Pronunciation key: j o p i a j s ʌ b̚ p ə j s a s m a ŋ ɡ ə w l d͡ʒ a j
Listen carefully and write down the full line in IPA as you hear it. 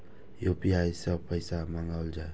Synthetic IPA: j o p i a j s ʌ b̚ p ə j s a m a ŋ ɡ a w l d͡ʒ a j